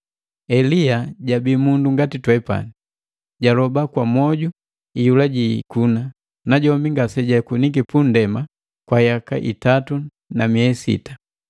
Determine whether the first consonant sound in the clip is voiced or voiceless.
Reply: voiced